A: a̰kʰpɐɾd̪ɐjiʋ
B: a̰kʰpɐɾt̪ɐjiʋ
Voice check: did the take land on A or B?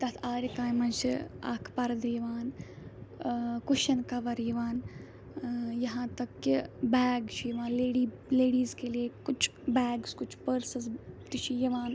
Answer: A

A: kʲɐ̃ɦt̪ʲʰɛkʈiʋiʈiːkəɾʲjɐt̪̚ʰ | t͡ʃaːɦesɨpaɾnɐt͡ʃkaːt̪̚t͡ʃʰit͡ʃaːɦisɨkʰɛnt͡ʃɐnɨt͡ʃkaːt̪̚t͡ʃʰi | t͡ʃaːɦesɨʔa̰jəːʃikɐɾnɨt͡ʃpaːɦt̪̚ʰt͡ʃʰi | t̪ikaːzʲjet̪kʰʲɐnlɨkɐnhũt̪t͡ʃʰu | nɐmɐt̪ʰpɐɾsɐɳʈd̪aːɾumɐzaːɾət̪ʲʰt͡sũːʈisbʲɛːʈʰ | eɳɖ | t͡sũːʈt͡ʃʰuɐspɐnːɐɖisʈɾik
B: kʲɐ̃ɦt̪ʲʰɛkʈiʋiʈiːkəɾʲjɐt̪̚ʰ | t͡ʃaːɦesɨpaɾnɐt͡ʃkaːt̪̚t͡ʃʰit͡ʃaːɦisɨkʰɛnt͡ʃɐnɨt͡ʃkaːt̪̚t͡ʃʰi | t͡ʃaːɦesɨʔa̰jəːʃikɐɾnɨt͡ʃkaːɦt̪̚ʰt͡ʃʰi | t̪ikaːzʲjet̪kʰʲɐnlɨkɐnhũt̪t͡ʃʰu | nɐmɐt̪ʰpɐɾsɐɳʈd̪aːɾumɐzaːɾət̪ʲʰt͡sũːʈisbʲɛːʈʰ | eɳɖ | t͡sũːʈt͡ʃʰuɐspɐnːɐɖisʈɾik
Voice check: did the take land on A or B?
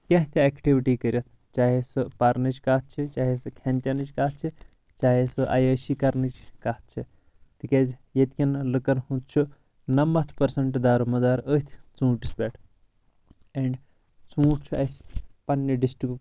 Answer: B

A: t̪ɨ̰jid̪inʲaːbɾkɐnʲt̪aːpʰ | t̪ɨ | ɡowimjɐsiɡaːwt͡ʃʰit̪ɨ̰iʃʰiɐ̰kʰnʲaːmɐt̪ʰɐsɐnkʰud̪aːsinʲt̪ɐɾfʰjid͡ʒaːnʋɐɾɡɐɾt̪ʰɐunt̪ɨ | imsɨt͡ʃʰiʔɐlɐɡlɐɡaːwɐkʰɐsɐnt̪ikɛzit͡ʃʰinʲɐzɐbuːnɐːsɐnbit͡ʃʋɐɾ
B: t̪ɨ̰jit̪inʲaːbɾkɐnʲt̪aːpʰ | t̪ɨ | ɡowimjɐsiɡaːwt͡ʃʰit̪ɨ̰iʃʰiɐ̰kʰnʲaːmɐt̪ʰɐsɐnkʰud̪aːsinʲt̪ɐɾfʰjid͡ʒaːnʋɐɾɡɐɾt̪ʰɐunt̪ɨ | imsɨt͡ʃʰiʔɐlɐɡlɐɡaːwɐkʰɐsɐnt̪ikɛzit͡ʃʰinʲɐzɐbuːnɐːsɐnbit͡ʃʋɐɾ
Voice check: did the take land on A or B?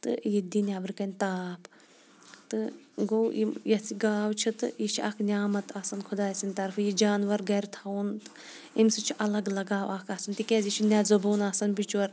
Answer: A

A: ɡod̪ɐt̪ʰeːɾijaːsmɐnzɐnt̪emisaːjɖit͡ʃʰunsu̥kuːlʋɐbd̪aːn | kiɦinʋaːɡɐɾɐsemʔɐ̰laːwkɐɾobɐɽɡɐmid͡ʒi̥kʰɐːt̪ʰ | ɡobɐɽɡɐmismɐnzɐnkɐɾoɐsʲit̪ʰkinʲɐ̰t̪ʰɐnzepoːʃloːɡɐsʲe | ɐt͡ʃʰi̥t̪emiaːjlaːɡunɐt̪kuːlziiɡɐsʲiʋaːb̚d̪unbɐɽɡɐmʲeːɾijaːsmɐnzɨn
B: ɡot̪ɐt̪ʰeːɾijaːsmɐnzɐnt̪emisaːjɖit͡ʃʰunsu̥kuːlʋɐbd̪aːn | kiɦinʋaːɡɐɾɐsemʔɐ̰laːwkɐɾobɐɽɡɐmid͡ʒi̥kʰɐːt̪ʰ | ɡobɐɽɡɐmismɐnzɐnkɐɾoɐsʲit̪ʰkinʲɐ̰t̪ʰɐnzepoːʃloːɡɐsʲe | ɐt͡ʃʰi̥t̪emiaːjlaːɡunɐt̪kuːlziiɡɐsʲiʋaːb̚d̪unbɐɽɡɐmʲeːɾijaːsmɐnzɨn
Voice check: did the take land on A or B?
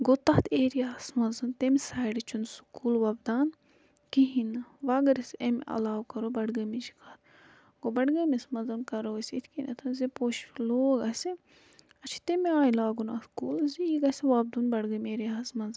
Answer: B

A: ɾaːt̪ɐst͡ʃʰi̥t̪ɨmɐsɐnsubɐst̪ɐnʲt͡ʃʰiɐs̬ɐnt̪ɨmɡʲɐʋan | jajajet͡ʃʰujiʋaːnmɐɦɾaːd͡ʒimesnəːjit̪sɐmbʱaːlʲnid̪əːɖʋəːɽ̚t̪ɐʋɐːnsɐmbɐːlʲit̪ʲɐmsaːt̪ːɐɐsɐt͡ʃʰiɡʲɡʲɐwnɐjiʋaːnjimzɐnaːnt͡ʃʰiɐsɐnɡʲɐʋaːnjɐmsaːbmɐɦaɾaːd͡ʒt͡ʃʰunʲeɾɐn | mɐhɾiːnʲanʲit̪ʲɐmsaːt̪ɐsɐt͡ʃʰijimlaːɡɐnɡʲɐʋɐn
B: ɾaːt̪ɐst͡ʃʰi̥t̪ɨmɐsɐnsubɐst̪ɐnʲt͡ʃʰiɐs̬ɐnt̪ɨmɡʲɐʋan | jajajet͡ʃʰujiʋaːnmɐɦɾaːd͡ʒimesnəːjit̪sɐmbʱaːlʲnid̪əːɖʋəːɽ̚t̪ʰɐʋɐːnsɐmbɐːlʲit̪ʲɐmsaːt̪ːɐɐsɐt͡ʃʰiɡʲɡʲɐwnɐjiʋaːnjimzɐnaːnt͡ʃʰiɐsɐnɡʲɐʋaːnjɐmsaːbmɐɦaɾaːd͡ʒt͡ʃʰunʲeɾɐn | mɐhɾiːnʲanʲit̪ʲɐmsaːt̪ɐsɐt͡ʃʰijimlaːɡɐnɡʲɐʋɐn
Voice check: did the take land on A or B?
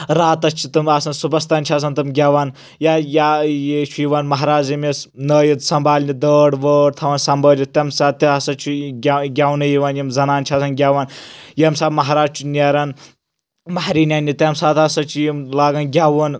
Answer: B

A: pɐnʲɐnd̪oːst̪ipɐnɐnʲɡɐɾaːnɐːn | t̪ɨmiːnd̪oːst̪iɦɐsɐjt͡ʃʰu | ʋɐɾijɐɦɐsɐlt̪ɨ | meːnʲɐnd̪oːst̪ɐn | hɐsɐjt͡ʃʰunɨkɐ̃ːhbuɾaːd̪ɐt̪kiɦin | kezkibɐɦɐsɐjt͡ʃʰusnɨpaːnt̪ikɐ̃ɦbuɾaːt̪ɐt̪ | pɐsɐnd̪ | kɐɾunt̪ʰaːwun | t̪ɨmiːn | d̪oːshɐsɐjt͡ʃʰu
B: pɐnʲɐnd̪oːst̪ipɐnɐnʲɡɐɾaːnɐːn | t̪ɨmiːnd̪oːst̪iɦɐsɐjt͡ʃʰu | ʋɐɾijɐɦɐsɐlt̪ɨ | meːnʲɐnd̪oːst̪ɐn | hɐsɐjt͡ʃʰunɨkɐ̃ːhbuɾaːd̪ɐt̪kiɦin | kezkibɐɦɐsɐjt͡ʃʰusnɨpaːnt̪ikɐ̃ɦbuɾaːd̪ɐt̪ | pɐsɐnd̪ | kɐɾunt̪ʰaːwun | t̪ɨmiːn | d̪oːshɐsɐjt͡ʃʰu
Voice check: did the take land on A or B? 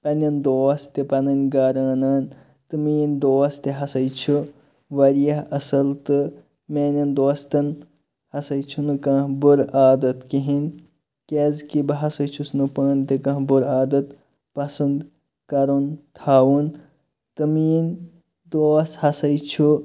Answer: B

